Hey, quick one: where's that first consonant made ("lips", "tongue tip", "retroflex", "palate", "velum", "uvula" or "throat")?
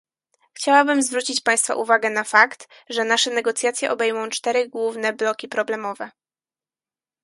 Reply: velum